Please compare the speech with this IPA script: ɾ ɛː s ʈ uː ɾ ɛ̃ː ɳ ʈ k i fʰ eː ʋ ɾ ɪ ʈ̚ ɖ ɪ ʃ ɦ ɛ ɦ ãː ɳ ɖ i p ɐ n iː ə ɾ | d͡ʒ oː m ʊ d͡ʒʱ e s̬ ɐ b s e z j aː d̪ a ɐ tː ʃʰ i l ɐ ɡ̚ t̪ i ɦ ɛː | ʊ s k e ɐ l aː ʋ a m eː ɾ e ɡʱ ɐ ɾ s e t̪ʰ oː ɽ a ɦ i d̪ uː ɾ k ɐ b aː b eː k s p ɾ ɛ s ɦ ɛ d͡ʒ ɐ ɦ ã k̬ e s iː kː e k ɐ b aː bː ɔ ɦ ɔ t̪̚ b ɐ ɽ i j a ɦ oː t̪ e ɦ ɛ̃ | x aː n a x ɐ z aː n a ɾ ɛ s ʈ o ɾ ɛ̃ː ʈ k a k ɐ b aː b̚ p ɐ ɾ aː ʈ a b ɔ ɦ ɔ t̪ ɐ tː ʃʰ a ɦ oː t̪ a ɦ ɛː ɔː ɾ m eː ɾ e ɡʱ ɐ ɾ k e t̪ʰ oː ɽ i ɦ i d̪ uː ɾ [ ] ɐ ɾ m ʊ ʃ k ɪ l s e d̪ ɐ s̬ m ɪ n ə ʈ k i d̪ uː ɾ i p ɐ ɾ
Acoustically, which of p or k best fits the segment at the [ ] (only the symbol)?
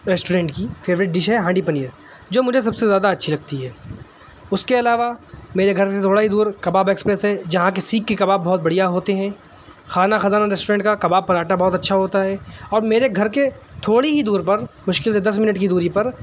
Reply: p